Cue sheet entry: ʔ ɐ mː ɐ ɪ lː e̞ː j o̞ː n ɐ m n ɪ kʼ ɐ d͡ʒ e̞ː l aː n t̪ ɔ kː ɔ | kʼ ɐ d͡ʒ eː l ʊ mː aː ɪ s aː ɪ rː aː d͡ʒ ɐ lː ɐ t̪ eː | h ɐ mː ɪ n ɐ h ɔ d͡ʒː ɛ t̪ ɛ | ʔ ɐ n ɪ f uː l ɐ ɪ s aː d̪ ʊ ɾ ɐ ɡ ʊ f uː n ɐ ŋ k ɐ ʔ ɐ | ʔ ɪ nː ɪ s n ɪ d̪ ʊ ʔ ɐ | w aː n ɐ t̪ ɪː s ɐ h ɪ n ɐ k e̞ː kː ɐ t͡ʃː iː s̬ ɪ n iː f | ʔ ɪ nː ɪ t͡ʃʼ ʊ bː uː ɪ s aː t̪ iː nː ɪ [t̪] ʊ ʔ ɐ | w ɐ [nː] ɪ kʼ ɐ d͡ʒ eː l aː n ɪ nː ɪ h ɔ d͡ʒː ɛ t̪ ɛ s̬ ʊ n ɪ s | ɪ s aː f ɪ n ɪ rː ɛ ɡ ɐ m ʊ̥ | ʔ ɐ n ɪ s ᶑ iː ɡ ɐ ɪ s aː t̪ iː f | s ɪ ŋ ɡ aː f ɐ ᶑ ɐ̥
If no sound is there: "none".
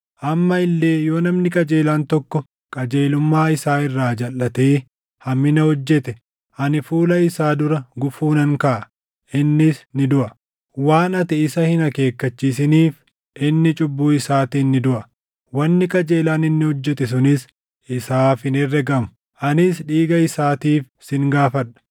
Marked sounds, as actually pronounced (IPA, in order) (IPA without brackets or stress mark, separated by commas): d̪, nː